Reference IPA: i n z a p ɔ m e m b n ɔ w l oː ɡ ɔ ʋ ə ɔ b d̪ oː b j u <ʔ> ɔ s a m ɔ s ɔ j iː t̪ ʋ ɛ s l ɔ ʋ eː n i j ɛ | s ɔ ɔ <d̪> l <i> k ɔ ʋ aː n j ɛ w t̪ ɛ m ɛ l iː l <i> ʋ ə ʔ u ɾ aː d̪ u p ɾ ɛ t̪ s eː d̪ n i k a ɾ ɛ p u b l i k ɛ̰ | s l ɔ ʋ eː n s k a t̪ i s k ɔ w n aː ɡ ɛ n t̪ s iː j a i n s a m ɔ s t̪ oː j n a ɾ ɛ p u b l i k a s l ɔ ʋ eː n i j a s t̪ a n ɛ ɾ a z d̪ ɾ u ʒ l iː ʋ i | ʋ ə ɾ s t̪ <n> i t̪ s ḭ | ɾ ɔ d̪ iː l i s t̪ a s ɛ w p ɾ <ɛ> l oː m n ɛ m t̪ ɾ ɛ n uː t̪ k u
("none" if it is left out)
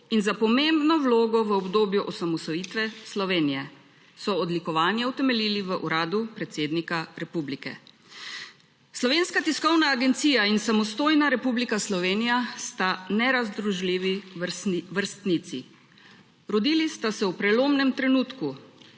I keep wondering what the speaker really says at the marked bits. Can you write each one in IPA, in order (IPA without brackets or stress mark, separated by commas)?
ʔ, d̪, i, i, n, ɛ